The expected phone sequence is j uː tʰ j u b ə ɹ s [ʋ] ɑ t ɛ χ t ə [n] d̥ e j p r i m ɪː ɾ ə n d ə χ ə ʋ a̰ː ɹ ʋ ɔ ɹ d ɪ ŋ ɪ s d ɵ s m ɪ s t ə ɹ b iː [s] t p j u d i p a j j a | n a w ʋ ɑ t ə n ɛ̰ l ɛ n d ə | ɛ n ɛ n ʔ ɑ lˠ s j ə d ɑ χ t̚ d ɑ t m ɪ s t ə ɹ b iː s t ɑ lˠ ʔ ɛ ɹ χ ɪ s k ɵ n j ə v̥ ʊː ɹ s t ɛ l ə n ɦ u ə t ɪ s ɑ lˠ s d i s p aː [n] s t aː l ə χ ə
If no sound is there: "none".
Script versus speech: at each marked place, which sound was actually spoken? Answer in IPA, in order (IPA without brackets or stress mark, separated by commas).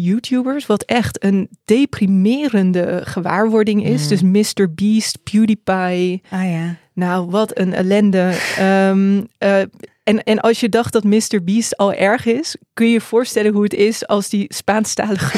ʋ, n, s, n